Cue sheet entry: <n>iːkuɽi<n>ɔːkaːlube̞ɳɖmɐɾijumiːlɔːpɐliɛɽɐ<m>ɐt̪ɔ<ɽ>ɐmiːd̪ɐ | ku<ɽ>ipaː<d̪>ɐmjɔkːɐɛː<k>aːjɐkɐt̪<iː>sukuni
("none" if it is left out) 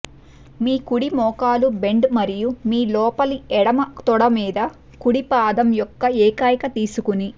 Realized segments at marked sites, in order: m, m, m, ɽ, ɽ, d̪, k, iː

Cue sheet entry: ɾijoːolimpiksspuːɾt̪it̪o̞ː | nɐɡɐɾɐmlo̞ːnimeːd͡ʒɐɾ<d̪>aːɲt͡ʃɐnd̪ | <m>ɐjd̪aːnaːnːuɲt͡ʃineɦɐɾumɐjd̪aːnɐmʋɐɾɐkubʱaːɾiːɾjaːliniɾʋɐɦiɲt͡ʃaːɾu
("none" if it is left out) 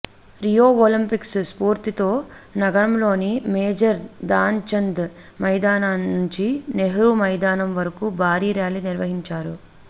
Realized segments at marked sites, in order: d̪, m

